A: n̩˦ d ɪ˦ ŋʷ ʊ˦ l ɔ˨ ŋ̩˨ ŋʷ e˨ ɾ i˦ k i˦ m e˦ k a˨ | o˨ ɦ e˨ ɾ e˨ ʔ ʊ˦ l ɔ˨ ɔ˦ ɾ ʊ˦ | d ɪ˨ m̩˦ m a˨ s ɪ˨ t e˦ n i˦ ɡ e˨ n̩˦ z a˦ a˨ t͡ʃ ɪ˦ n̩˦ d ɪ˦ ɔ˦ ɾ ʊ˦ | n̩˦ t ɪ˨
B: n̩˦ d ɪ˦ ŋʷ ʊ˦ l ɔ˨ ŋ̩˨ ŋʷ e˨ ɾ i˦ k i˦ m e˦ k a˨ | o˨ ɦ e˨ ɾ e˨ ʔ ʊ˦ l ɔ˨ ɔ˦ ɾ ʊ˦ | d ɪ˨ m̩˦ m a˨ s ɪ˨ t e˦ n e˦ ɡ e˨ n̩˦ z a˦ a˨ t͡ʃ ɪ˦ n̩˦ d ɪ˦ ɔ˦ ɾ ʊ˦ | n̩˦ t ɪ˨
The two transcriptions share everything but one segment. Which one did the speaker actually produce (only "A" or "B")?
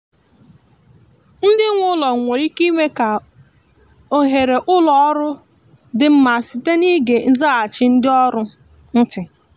A